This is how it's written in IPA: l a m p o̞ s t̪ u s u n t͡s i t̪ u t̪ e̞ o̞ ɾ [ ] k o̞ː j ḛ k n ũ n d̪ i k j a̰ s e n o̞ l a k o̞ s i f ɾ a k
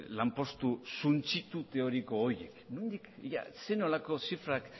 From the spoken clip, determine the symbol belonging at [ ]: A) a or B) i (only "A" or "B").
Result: B